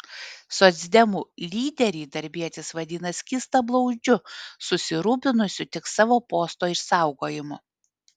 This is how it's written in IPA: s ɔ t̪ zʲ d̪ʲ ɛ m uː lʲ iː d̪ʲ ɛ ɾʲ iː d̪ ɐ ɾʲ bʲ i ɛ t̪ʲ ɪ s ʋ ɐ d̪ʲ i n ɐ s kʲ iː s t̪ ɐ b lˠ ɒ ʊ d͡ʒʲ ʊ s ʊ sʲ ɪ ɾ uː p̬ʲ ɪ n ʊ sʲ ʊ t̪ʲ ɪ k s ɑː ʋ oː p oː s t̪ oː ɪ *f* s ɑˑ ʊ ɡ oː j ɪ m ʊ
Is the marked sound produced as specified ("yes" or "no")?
no